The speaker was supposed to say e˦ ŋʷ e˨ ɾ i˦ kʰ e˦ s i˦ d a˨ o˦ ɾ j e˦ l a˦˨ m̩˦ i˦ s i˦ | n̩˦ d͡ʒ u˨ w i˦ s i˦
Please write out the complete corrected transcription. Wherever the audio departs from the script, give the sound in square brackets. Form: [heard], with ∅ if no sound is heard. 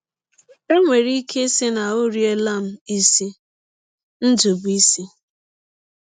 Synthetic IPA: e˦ ŋʷ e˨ ɾ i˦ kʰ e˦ s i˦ [n] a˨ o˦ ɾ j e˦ l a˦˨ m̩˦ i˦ s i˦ | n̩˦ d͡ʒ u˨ [b] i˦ s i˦